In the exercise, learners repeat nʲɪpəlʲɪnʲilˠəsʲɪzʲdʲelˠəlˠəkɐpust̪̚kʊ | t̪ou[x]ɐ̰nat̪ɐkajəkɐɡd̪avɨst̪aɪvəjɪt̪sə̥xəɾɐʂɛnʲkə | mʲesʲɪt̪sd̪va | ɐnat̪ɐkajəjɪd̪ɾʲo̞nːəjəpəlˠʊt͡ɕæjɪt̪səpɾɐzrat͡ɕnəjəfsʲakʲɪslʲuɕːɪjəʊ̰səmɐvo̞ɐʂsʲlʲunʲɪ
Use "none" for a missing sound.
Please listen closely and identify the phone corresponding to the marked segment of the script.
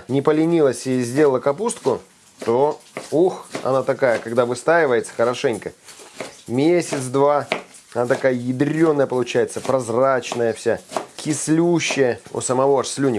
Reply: x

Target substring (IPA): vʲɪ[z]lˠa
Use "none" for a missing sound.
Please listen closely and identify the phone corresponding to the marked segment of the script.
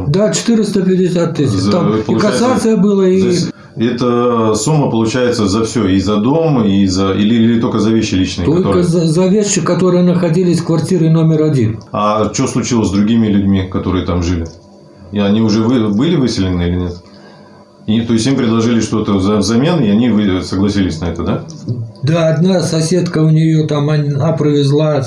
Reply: z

